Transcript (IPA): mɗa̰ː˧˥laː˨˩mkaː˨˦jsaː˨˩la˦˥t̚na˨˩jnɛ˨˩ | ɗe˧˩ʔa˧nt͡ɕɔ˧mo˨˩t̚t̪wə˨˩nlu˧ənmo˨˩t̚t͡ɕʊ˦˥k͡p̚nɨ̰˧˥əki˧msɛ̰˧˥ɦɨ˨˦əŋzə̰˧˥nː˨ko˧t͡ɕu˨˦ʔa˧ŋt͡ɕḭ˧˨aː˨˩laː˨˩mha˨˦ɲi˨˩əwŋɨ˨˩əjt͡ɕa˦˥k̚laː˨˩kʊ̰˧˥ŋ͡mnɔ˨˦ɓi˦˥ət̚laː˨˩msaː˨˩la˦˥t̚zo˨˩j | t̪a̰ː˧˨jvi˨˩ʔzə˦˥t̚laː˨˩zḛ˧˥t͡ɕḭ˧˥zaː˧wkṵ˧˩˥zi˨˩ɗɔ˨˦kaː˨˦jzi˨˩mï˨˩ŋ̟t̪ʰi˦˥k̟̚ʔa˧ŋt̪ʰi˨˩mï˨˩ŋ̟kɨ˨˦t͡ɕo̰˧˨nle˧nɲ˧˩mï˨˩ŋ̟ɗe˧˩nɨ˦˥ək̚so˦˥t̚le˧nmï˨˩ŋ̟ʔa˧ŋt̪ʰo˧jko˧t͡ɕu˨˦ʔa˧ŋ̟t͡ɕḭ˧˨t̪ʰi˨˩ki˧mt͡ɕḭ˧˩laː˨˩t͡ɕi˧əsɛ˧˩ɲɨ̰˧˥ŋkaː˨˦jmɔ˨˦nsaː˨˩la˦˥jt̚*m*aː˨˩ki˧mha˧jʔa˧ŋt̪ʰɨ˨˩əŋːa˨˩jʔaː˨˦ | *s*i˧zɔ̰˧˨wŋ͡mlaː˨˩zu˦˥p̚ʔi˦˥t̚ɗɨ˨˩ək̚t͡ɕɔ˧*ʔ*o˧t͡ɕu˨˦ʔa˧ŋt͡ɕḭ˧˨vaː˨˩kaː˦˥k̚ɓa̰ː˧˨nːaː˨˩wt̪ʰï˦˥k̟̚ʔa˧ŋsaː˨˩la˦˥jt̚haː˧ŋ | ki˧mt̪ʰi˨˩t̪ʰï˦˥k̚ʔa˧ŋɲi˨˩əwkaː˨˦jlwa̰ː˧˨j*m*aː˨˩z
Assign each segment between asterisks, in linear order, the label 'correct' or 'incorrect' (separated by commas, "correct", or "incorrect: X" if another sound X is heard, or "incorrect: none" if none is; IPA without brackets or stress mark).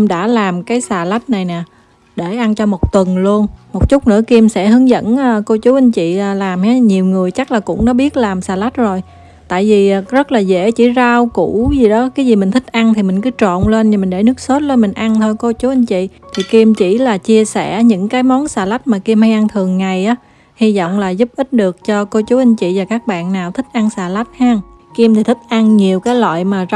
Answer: correct, incorrect: h, incorrect: k, correct